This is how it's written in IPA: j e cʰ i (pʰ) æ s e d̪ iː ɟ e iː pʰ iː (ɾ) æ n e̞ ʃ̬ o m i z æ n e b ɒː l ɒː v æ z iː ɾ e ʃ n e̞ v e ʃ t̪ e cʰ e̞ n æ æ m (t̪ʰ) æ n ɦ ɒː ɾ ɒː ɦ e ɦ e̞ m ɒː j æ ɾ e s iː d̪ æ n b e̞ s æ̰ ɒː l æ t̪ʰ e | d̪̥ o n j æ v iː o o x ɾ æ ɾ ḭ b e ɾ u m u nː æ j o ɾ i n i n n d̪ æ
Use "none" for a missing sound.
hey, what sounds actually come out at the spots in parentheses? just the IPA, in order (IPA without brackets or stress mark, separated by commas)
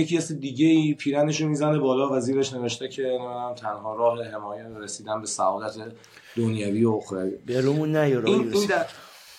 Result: none, ɾ, t̪ʰ